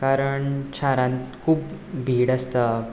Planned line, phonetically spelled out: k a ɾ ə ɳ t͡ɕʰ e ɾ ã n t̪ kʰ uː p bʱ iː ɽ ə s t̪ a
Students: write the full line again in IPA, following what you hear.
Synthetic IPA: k a ɾ ə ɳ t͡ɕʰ a ɾ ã n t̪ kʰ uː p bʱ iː ɽ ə s t̪ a